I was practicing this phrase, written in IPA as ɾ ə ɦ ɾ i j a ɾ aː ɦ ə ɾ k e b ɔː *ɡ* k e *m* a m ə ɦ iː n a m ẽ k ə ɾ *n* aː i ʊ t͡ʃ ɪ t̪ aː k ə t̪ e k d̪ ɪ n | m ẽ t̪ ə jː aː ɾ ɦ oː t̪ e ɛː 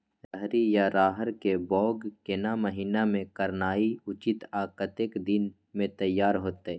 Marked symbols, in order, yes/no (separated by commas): yes, no, yes